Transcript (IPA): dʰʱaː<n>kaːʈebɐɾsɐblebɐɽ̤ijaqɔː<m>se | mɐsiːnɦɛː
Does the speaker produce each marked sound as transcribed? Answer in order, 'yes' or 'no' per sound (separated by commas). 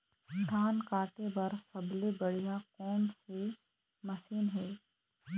yes, yes